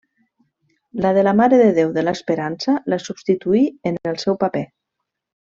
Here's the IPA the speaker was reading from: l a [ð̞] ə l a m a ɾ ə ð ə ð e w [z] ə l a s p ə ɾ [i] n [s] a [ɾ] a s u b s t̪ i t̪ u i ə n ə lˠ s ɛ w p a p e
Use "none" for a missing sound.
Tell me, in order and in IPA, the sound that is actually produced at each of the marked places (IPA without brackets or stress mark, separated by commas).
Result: ð̞, ð, a, s, l